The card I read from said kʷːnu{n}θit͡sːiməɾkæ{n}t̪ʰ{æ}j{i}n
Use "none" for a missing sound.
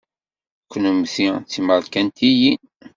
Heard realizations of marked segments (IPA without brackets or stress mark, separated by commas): m, n, i, i